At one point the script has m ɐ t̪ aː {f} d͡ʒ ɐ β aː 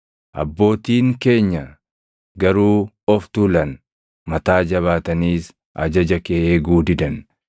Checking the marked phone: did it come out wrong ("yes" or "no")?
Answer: yes